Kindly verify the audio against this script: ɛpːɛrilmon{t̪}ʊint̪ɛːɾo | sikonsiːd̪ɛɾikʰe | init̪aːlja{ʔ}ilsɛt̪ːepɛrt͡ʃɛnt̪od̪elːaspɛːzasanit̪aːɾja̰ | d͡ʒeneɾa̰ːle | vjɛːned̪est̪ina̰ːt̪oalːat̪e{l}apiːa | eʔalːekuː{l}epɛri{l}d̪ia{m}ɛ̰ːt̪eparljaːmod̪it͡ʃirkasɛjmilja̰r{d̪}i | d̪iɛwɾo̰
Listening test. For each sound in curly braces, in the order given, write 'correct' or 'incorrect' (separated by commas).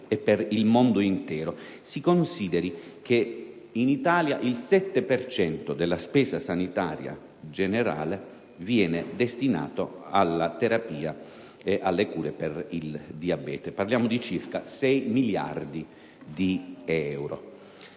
incorrect, correct, incorrect, incorrect, correct, incorrect, correct